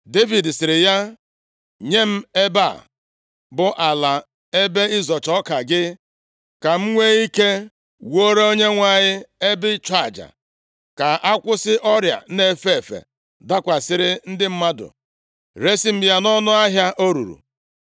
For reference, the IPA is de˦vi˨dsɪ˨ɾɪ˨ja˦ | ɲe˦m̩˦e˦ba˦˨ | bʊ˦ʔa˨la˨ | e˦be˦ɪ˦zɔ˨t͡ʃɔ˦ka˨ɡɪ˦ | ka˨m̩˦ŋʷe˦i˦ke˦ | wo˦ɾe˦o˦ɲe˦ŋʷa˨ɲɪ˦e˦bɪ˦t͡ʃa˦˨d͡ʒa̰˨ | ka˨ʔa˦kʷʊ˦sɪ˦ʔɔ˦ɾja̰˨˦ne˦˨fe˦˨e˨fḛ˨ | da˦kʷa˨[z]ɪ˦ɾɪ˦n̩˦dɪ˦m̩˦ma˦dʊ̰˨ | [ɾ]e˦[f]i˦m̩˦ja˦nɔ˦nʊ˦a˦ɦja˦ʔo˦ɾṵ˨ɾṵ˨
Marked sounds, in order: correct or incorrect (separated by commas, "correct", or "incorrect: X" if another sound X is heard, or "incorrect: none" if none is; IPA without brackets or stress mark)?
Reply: incorrect: s, correct, incorrect: s